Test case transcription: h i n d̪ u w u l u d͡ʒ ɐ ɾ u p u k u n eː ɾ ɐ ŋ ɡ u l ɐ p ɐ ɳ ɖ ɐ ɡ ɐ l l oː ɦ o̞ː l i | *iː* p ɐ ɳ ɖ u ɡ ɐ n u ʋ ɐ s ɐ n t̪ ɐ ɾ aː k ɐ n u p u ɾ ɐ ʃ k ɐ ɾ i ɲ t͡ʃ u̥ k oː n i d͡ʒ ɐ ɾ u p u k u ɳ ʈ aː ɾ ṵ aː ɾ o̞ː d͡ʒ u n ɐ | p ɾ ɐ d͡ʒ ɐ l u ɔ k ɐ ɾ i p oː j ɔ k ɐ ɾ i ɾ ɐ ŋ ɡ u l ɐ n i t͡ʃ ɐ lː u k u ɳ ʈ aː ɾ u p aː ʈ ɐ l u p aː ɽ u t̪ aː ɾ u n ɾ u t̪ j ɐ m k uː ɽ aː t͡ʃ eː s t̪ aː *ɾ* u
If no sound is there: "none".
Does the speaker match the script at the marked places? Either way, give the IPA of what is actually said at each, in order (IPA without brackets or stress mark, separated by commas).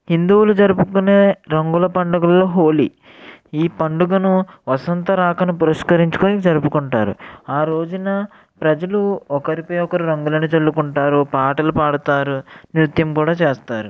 iː, ɾ